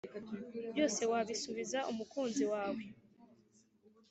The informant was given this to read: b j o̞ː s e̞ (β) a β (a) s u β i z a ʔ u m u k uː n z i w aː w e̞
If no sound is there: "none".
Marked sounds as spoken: w, i

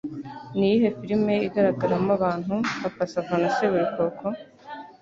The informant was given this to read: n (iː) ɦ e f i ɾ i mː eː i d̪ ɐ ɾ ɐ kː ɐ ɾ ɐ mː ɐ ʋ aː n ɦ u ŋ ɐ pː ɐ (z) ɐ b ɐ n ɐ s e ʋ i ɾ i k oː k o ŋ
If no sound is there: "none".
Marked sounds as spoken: iː, s

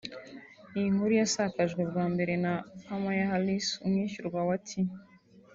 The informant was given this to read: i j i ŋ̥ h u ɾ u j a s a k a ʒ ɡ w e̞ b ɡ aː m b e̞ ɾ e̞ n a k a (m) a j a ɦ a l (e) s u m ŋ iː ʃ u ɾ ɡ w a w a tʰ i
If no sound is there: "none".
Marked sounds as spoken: m, i

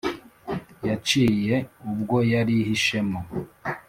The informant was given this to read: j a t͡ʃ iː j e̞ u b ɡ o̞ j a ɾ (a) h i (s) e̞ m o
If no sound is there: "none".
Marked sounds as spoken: i, ʃ

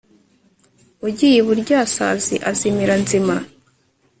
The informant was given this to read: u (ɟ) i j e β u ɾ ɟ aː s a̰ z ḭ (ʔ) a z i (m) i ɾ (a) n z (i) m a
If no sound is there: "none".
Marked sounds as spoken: ɟ, ʔ, m, a, i

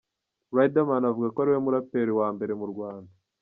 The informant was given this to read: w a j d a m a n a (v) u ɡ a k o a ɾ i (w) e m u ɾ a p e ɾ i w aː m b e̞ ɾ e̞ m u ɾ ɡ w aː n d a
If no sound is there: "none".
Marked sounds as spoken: v, w

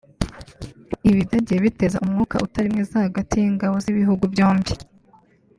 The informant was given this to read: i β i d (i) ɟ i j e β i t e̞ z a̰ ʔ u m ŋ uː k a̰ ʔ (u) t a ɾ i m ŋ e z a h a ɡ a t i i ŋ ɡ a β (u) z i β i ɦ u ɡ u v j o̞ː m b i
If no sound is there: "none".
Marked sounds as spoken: a, u, o

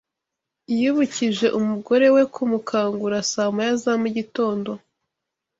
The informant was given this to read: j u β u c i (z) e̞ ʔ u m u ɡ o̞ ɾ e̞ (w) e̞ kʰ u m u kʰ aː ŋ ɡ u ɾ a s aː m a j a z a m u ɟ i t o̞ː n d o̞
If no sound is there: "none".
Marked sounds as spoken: ʒ, w

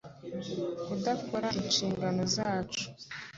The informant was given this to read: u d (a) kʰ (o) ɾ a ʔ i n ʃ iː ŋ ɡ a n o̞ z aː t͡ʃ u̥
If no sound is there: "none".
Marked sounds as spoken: a, o

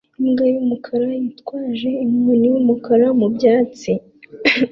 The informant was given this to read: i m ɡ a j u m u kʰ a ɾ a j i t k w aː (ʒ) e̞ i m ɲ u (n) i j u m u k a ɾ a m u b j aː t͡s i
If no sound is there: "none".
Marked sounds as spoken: ʒ, n

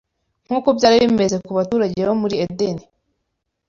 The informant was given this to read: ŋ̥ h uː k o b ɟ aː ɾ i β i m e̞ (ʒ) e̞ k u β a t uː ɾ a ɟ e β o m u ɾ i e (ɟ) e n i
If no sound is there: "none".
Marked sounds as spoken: z, d

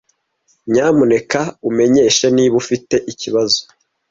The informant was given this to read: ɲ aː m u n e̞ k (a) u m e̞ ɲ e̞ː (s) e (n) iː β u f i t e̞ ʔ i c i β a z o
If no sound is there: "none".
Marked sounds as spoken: a, ʃ, n

